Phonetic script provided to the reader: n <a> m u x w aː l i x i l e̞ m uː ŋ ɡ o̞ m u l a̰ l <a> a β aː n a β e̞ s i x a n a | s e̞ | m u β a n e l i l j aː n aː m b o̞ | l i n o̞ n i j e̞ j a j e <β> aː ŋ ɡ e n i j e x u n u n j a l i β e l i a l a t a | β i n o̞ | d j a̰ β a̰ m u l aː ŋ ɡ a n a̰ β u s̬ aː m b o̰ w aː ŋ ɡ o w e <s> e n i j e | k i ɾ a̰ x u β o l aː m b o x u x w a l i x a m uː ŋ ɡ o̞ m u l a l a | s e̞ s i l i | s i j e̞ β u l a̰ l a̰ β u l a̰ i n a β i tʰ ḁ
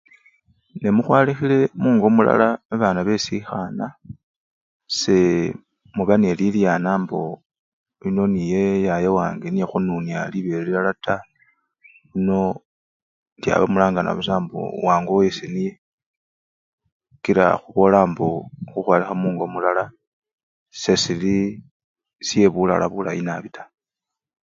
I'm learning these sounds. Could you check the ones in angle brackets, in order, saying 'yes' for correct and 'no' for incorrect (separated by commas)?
no, yes, no, yes